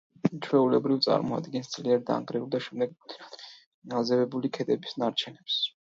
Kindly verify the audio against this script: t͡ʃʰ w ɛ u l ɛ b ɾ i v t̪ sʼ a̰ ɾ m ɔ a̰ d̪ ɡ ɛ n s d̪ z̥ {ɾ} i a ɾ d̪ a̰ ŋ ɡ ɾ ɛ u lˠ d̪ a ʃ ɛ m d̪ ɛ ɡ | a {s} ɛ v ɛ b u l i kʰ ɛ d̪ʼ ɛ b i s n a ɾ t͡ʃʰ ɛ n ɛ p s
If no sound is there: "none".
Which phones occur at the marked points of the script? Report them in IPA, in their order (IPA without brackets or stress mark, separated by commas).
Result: l, z